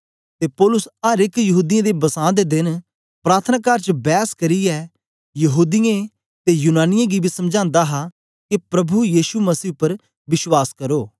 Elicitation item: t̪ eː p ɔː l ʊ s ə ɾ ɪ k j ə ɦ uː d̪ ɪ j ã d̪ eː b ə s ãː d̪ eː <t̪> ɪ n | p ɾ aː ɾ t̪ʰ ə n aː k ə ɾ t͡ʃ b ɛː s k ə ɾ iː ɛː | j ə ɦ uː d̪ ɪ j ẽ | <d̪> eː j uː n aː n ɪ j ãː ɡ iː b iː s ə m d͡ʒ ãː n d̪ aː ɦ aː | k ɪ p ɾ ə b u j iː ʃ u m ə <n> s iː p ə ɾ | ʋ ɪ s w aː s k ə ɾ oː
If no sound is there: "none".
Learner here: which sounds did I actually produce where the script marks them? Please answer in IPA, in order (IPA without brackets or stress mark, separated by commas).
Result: d̪, t̪, none